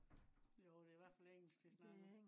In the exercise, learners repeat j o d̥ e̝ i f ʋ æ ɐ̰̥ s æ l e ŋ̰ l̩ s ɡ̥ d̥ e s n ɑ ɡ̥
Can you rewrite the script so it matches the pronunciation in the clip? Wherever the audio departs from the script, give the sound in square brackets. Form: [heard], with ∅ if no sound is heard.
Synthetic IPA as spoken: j o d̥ e̝ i [∅] ʋ æ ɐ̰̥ [f] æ l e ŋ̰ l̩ s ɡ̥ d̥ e s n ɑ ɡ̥